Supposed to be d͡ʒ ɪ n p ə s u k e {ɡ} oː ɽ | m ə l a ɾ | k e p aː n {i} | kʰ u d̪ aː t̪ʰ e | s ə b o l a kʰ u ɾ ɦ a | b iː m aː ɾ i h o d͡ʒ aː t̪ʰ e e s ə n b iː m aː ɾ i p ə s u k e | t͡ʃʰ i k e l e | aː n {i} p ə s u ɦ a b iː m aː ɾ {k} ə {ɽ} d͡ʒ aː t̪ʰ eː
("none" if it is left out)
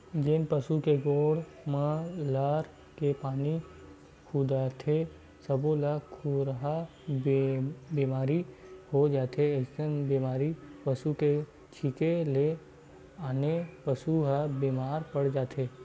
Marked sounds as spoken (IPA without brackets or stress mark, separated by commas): ɡ, i, e, p, ɽ